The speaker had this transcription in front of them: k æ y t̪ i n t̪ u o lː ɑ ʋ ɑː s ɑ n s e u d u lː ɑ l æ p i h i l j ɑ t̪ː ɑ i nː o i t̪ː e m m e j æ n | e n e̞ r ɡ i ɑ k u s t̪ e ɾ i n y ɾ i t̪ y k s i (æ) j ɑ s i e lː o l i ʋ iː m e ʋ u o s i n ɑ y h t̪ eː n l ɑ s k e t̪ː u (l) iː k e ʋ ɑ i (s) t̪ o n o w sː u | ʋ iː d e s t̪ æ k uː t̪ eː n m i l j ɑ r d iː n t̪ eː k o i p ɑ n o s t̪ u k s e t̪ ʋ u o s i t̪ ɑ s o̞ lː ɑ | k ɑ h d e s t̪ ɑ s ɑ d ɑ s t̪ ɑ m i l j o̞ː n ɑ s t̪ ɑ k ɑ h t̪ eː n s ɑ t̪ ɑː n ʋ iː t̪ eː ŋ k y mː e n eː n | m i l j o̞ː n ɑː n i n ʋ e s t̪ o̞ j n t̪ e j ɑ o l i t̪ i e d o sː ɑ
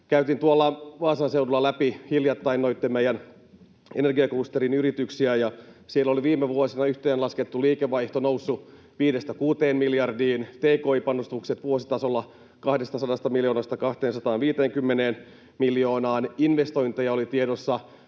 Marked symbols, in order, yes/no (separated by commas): yes, yes, no